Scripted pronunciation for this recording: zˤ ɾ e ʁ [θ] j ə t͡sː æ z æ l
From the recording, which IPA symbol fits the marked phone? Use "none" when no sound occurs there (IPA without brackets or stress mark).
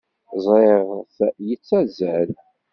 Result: θ